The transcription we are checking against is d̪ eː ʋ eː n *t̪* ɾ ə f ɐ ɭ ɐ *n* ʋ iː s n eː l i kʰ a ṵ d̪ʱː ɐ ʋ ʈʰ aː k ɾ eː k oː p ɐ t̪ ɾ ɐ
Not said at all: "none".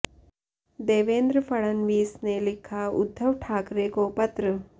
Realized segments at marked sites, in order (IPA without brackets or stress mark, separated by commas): d̪, n